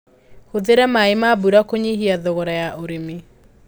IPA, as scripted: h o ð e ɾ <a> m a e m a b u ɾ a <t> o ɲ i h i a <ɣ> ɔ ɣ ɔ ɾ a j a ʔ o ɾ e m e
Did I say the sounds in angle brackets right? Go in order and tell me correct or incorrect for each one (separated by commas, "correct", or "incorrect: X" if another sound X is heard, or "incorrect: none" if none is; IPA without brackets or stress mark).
incorrect: ɛ, incorrect: k, incorrect: ð